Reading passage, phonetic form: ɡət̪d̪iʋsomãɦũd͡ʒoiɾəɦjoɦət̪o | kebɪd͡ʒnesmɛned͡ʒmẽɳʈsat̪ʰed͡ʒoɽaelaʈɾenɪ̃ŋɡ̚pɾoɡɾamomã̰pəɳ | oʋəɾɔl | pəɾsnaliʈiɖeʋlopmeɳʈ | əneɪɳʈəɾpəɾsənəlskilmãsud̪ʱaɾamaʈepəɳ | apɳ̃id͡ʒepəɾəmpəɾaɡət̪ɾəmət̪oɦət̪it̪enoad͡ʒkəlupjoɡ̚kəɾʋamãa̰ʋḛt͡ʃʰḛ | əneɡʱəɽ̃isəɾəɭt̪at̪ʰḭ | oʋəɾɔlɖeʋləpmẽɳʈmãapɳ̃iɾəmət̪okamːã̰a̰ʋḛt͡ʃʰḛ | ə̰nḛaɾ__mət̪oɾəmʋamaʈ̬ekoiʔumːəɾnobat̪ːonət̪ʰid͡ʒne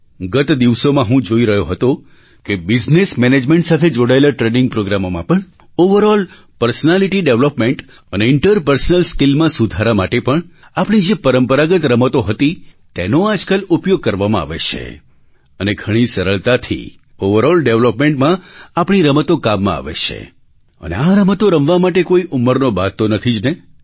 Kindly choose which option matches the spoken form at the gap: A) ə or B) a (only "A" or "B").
A